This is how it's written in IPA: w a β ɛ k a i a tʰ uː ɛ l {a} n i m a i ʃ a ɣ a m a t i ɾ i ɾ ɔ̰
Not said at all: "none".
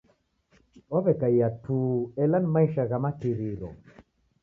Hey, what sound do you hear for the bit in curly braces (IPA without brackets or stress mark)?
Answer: a